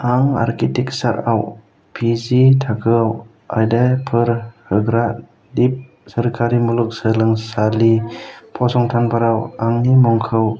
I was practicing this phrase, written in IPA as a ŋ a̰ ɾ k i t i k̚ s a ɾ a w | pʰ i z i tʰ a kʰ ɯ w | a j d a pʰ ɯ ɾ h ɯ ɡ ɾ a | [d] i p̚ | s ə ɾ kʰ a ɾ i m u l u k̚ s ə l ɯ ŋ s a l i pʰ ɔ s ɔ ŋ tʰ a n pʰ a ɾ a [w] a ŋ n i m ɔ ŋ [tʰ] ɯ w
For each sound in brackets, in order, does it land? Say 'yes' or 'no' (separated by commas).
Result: yes, yes, no